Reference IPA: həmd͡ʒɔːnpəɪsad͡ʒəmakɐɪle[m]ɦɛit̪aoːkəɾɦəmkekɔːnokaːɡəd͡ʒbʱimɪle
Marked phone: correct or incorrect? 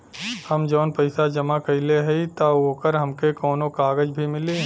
incorrect